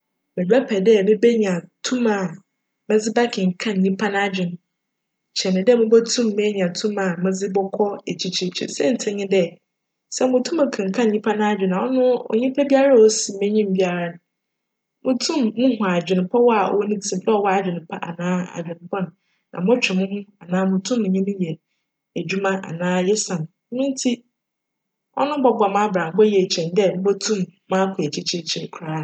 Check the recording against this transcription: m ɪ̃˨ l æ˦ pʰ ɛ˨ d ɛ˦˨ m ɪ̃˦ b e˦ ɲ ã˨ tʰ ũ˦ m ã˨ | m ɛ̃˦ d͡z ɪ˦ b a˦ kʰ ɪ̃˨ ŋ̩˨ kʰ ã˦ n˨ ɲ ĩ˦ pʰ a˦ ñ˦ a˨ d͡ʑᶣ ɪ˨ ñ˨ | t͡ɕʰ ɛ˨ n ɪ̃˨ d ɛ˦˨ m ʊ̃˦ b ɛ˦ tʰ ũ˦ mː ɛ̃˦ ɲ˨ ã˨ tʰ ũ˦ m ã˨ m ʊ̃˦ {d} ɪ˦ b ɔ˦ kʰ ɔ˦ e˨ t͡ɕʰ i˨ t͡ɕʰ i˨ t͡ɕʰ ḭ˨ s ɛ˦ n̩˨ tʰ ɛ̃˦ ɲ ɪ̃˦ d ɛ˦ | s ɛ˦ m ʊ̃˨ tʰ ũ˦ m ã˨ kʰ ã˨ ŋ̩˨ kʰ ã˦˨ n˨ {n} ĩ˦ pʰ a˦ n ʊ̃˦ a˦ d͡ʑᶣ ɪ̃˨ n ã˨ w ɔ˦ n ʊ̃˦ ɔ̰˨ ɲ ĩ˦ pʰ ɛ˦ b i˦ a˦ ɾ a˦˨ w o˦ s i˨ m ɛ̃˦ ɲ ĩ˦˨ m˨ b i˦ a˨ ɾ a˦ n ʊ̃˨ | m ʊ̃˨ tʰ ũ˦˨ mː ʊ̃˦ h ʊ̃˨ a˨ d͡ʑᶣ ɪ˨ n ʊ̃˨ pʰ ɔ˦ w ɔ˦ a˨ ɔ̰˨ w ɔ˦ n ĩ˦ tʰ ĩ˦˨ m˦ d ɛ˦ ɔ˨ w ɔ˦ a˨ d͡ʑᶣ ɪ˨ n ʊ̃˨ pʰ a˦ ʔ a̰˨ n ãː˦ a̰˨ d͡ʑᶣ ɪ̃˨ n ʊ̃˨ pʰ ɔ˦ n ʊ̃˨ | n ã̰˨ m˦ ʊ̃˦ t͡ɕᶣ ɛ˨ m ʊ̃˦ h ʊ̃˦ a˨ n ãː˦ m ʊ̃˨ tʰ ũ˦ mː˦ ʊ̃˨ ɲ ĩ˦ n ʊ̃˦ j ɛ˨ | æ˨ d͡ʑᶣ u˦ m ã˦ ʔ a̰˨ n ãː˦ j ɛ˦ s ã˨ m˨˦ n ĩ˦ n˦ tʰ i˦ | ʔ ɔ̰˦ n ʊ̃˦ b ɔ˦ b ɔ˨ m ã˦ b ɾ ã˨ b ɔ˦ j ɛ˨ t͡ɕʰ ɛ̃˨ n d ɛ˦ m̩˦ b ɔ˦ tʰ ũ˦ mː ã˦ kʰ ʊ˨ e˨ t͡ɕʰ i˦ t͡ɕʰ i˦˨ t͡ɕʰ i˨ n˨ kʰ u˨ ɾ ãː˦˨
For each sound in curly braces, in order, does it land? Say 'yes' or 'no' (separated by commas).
no, no